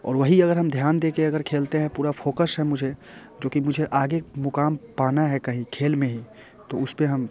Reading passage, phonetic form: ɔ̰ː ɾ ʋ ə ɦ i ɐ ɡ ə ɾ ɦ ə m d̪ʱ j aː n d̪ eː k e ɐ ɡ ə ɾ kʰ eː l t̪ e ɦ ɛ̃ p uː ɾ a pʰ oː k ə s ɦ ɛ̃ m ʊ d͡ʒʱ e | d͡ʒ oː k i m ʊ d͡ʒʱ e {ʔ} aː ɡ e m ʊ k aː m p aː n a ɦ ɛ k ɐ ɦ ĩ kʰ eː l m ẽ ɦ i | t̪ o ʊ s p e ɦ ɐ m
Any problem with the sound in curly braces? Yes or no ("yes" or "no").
no